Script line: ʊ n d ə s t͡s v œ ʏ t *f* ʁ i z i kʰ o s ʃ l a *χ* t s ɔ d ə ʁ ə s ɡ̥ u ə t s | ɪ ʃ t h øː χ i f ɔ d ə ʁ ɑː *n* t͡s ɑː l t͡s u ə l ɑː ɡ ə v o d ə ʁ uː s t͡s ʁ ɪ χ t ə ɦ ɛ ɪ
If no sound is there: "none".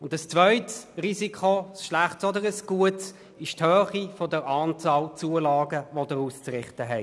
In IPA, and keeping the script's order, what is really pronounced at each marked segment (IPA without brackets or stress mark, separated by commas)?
s, χ, n